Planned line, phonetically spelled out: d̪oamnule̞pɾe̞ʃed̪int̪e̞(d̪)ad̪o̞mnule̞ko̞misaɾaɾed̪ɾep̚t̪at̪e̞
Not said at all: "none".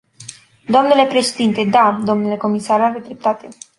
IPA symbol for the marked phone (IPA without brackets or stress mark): d̪